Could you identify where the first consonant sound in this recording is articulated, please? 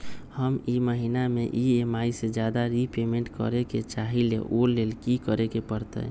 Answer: glottal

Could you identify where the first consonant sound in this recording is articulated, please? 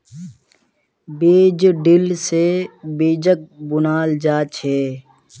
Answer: labial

